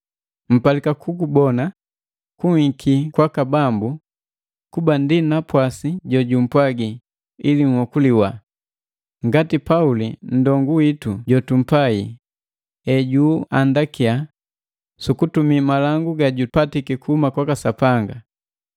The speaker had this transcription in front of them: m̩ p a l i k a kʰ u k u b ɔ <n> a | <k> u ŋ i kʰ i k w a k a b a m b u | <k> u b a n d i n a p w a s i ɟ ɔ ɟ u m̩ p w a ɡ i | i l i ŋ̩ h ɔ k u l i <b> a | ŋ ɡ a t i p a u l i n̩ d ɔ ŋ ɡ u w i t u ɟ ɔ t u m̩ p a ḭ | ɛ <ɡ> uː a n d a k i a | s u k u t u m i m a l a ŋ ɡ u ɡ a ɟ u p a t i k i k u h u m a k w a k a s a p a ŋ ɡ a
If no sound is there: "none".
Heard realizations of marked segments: n, k, k, w, ɟ

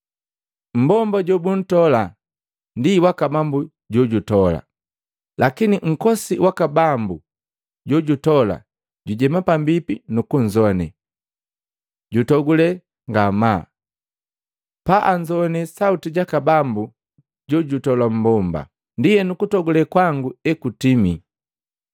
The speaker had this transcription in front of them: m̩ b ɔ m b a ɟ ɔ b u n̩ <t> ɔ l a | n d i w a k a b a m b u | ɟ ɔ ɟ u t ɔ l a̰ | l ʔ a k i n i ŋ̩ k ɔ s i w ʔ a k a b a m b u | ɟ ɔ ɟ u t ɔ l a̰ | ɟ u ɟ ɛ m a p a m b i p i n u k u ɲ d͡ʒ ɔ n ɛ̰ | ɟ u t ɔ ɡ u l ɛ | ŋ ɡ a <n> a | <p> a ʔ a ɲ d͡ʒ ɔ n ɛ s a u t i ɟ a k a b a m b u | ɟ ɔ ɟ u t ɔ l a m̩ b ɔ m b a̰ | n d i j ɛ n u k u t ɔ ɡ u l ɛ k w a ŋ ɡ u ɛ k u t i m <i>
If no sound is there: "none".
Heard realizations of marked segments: t, m, p, i

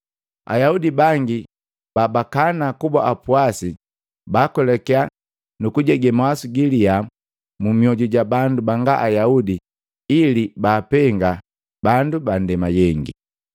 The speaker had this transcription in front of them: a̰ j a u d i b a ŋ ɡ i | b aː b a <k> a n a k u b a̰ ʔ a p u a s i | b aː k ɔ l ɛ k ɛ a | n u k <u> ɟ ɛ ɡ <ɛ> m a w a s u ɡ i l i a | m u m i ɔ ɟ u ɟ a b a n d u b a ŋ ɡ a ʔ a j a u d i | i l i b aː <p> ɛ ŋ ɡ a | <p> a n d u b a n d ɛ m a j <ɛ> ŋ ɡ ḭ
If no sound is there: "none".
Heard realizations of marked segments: k, u, ɛ, p, b, ɛ

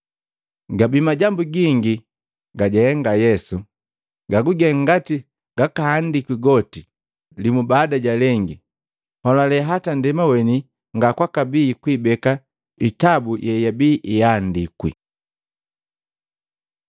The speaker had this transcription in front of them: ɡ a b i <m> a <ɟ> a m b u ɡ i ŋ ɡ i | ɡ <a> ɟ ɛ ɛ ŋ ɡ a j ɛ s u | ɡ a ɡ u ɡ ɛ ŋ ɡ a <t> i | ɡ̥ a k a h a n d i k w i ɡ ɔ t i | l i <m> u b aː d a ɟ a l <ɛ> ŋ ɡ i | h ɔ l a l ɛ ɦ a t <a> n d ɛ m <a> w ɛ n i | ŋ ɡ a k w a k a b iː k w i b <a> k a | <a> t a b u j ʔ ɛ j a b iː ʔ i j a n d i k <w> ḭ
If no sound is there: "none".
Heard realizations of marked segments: m, ɟ, a, t, m, ɛ, a, a, ɛ, i, w

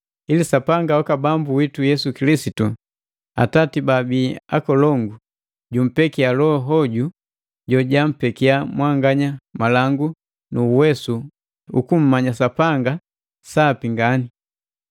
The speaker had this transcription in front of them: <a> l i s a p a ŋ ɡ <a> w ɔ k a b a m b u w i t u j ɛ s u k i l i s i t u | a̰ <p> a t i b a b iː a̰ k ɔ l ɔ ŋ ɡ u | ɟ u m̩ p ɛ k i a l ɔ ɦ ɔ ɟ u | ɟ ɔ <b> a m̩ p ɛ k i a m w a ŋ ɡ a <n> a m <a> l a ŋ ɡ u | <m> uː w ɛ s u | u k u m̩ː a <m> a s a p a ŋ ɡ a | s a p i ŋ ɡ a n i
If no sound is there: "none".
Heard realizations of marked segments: i, a, t, ɟ, ɲ, a, n, ɲ

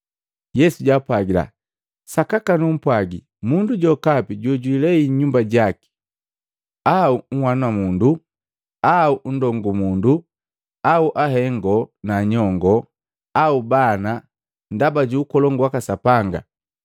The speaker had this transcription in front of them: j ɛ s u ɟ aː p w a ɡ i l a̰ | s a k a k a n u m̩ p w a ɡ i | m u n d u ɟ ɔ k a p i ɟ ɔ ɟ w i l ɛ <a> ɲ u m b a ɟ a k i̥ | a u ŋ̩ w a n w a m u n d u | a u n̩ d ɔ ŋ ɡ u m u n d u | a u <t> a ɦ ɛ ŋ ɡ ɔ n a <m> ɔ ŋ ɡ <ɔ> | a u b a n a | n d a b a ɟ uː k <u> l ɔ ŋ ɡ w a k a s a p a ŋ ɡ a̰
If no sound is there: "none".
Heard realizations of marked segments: i, ʔ, ɲ, ɔ, ɔ

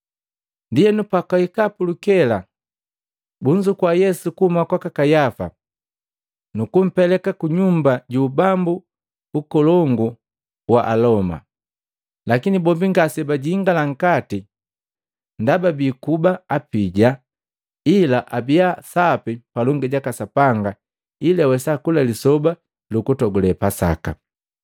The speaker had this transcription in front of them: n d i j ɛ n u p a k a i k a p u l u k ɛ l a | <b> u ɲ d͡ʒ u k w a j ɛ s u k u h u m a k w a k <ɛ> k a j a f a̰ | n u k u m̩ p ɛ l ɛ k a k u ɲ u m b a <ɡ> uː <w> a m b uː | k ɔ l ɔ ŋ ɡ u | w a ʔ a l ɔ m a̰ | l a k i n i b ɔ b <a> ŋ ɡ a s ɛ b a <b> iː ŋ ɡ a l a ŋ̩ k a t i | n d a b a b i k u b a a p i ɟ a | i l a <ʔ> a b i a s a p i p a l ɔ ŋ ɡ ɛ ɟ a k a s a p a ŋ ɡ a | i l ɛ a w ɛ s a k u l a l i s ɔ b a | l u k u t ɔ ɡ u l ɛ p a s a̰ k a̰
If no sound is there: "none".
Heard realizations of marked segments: b, a, ɟ, b, i, ɟ, ʔ

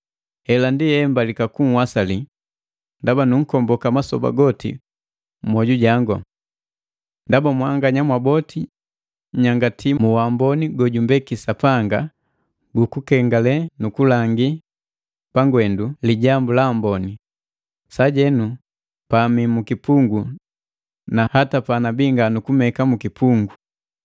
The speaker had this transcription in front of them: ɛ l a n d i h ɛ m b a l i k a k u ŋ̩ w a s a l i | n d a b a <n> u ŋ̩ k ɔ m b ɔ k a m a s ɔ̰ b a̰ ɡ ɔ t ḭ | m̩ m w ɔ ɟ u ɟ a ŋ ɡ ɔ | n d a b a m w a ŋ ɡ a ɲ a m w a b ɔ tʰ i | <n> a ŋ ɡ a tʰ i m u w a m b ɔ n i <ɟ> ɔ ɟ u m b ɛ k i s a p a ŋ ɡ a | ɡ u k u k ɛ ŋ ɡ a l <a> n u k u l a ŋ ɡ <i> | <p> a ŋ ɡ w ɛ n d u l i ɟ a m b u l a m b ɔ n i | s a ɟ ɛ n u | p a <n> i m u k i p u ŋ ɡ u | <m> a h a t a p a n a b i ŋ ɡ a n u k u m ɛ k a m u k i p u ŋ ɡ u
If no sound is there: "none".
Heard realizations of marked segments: n, ɲ, ɡ, ɛ, i, p, m, n

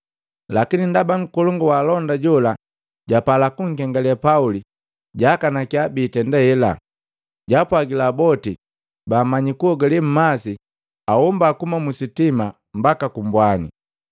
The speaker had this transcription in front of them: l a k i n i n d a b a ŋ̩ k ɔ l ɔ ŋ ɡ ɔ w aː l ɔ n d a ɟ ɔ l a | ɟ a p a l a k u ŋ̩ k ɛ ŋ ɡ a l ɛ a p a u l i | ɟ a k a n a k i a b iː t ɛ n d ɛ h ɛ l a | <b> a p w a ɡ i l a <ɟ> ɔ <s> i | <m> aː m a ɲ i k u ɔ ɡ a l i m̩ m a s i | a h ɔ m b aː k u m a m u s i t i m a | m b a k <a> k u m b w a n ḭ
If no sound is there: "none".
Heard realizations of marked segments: ɟ, b, t, b, a

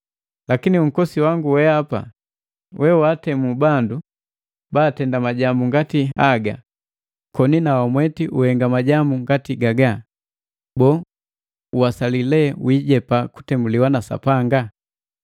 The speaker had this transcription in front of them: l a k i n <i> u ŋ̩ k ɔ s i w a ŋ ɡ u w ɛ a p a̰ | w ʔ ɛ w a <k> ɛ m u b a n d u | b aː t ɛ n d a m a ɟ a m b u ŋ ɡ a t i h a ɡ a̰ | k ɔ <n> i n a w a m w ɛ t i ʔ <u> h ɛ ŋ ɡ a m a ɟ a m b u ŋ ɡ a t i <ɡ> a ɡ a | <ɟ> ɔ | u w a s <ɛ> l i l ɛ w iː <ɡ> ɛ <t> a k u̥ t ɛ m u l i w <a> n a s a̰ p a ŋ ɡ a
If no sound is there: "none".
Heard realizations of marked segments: i, t, n, u, ɡ, b, a, ɟ, p, a

